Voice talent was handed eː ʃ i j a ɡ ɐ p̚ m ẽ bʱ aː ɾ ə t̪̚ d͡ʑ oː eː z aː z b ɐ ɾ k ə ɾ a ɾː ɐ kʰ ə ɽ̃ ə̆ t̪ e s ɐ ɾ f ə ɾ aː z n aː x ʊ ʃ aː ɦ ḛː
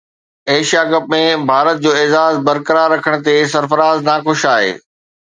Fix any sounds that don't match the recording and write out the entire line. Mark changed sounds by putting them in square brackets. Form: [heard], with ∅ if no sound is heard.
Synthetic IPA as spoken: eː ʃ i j a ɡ ɐ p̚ m ẽ bʱ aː ɾ ə t̪̚ d͡ʑ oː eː z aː z b ɐ ɾ k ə ɾ a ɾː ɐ kʰ ə ɽ̃ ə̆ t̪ e s ɐ ɾ f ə ɾ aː z n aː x ʊ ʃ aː ɦ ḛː